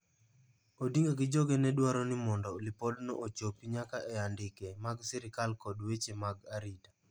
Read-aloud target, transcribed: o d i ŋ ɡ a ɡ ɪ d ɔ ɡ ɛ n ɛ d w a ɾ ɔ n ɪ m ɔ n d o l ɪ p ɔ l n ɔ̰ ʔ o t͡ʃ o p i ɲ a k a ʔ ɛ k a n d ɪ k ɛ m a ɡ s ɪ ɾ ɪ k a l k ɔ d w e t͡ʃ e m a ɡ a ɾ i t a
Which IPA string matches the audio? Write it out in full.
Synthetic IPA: o d i ŋ ɡ a ɡ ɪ d͡ʒ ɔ ɡ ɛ n ɛ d w a ɾ ɔ n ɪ m ɔ n d ɔ l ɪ p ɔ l n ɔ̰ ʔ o t͡ʃ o p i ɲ a k a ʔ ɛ a n d ɪ k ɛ m a ɡ s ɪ ɾ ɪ k a l k ɔ d w e t͡ʃ e m a ɡ a ɾ i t a